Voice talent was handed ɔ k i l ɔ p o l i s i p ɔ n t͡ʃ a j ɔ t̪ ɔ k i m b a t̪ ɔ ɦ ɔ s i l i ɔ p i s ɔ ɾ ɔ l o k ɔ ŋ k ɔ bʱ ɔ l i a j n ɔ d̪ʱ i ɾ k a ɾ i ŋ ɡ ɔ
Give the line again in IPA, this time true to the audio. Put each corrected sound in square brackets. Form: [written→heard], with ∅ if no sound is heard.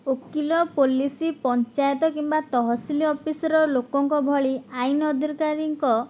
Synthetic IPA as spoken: [ɔ→o] k i l ɔ p o l i s i p ɔ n t͡ʃ a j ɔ t̪ ɔ k i m b a t̪ ɔ ɦ ɔ s i l i ɔ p i s ɔ ɾ ɔ l o k ɔ ŋ k ɔ bʱ ɔ [l→ɭ] i a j n ɔ d̪ʱ i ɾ k a ɾ i ŋ [ɡ→k] ɔ